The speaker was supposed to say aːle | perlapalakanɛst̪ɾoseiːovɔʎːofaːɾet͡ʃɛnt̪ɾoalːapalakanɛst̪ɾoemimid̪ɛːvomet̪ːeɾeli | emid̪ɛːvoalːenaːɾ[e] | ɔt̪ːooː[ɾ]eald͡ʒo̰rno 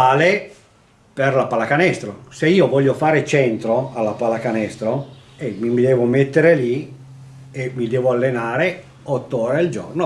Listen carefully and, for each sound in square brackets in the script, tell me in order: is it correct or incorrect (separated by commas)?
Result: correct, correct